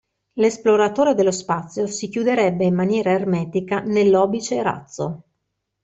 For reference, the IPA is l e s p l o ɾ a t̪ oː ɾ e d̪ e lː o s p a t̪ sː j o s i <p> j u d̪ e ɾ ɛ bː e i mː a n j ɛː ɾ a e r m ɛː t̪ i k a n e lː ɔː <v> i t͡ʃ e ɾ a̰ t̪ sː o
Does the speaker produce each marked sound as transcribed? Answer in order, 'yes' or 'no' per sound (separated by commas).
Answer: no, no